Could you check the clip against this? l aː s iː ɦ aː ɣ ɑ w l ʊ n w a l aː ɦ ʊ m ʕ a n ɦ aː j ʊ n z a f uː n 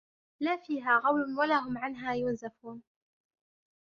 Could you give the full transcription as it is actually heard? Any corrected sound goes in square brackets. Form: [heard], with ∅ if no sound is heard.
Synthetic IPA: l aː [f] iː ɦ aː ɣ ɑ w l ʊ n w a l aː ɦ ʊ m ʕ a n ɦ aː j ʊ n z a f uː n